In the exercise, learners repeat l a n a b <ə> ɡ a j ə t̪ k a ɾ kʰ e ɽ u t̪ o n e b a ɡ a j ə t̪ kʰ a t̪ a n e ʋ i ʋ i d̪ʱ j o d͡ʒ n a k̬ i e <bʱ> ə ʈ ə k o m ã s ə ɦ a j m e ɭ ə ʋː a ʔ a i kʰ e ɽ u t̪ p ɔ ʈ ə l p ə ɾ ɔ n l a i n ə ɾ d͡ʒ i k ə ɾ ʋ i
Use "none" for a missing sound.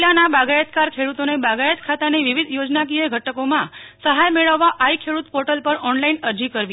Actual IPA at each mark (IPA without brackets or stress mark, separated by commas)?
a, ɡʱ